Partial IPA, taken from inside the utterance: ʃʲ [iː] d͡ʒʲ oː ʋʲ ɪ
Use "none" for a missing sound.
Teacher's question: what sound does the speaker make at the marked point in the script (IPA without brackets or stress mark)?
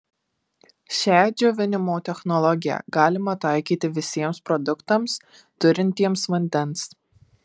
æː